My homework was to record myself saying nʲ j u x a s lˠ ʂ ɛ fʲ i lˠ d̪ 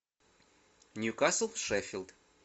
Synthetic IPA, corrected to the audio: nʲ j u k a s lˠ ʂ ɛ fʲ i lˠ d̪

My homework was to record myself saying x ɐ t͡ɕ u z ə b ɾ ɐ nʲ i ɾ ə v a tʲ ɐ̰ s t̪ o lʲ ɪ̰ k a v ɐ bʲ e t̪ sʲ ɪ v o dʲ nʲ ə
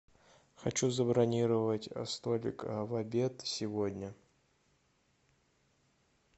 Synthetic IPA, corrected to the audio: x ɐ t͡ɕ u z ə b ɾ ɐ nʲ i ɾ ə v ə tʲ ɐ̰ s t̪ o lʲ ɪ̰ k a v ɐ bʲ e t̪ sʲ ɪ v o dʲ nʲ ə

